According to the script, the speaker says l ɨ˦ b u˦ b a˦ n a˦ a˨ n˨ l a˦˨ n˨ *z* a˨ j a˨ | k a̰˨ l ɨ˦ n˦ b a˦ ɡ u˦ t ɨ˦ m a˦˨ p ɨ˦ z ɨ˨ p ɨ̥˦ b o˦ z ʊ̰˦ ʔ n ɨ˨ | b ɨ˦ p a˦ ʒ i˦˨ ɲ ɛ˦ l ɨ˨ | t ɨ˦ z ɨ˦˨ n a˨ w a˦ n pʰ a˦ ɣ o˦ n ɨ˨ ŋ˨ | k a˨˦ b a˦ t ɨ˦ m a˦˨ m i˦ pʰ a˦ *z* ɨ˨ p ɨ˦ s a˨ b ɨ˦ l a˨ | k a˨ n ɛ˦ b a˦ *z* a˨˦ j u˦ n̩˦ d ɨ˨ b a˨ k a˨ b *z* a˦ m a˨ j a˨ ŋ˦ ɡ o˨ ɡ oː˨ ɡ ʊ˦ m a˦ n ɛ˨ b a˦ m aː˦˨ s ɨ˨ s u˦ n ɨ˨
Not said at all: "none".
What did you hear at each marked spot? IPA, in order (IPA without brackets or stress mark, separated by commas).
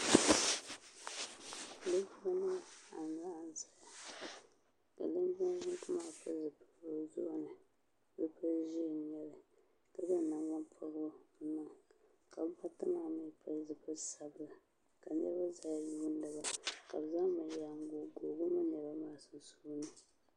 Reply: z, z, z, z